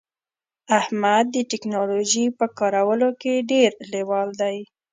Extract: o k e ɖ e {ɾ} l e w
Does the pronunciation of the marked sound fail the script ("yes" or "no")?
no